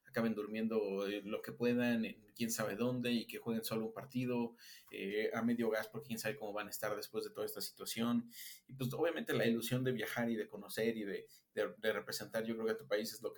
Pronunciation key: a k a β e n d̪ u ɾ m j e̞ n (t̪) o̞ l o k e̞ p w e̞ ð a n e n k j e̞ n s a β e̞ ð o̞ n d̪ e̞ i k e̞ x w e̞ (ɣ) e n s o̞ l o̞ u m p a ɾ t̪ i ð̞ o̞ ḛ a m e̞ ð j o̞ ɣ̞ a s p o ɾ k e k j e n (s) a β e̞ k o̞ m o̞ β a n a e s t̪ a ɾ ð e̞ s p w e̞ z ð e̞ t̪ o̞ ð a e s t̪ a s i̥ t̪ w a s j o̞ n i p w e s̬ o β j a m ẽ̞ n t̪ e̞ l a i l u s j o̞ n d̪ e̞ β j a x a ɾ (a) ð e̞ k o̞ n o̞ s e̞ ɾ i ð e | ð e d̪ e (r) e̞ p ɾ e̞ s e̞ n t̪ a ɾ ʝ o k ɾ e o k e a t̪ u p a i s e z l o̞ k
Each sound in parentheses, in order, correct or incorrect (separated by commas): incorrect, correct, correct, incorrect, correct